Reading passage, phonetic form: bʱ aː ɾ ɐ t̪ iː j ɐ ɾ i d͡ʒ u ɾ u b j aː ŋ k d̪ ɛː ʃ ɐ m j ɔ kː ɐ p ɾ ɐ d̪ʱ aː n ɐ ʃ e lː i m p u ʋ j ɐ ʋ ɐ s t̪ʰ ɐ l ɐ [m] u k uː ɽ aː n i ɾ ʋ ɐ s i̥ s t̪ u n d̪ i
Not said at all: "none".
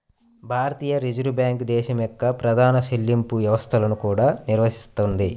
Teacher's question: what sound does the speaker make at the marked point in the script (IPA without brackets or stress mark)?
n